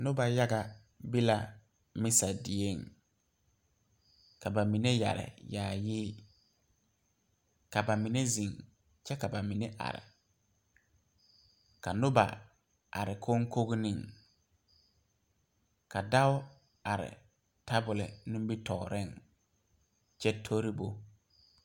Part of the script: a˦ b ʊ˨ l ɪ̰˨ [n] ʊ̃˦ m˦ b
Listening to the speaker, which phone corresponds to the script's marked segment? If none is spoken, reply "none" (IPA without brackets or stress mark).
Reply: n